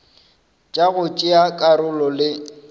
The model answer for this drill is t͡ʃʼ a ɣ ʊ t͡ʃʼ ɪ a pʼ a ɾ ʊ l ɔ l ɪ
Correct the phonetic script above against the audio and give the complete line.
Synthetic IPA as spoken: t͡ʃʼ a ɣ ʊ t͡ʃʼ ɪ a kʼ a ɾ ʊ l ɔ l ɪ

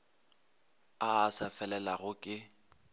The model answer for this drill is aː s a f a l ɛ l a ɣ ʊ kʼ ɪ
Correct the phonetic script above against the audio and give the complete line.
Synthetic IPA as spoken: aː s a f ɛ l ɛ l a ɣ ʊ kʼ ɪ

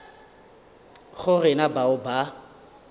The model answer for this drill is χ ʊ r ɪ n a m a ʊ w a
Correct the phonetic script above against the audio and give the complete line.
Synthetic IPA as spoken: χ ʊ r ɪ n a b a ʊ b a

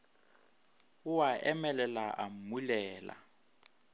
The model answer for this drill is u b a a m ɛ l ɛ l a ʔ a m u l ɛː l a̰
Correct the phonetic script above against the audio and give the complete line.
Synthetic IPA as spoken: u w a ɛ m ɛ l ɛ l a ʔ a m u l ɛː l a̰

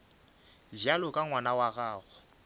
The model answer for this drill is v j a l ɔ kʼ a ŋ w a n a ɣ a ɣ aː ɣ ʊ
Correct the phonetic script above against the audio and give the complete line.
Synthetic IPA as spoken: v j a l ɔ kʼ a ŋ w a n a w a ɣ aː ɣ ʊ

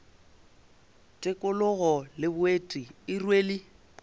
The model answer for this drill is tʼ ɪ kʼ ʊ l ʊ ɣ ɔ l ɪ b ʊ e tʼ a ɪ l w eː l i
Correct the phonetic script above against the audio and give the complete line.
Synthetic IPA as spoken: tʼ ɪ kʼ ʊ l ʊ ɣ ɔ l ɪ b ʊ e tʼ i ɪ r w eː l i

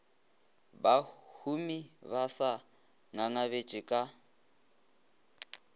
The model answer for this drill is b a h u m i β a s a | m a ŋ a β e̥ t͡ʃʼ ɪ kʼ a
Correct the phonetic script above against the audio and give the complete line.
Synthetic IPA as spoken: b a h u m i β a s a | ŋ a ŋ a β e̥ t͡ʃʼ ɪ kʼ a

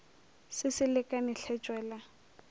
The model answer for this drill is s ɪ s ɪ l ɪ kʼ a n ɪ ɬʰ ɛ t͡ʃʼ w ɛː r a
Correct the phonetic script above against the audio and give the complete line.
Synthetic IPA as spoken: s ɪ s ɪ l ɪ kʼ a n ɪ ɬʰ ɛ t͡ʃʼ w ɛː l a

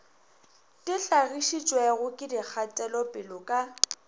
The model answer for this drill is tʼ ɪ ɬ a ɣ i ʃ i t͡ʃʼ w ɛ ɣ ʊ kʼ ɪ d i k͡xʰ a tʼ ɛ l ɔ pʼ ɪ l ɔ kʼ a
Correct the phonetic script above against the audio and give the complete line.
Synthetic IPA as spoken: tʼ ɪ ɬ a ɣ i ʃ i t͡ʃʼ w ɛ ɣ ʊ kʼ ɪ d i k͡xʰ a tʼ ɛ l ɔ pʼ ɪ l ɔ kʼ a

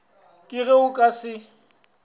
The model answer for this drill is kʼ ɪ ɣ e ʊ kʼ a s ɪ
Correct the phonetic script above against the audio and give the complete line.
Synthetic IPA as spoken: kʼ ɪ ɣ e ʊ kʼ a s ɪ

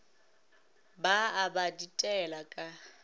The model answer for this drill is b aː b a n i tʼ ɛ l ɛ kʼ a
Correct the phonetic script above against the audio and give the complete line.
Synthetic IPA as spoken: b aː b a d i tʼ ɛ l a kʼ a

